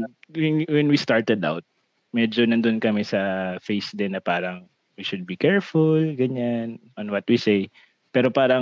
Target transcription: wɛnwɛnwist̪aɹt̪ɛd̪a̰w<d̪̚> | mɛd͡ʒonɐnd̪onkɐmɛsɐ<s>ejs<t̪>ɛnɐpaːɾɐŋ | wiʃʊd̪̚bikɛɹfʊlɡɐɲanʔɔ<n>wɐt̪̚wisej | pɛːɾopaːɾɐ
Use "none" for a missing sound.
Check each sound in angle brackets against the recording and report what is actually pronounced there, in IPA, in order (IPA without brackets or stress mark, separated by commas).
t̪̚, f, d̪, n